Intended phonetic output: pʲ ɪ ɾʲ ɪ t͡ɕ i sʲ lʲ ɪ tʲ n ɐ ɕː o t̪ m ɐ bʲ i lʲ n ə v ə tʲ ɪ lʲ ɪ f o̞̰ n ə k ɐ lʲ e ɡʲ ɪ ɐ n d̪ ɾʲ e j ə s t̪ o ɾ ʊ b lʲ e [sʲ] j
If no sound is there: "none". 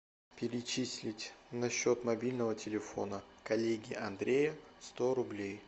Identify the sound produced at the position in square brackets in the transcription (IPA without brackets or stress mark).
none